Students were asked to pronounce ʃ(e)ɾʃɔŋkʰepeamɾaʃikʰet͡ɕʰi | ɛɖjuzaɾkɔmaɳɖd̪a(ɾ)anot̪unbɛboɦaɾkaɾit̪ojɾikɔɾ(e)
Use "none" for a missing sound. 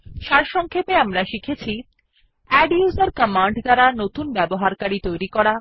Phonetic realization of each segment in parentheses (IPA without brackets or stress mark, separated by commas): a, ɾ, a